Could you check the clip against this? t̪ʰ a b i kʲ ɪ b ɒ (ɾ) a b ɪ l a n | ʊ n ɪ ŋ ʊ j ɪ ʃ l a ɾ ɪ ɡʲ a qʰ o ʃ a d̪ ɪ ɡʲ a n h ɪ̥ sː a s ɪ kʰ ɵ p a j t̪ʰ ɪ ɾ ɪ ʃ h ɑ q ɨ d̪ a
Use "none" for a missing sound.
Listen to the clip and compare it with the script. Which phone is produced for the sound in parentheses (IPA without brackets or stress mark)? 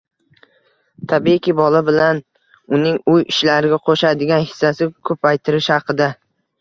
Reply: l